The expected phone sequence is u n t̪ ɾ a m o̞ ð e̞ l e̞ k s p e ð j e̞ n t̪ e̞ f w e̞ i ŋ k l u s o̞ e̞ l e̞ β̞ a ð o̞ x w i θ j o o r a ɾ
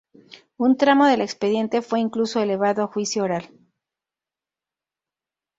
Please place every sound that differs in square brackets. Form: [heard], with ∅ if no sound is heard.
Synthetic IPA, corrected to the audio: u n t̪ ɾ a m o̞ ð e̞ l e̞ k s p e ð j e̞ n t̪ e̞ f w e̞ i ŋ k l u s o̞ e̞ l e̞ β̞ a ð o̞ x w i [s] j o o [ɾ] a [l]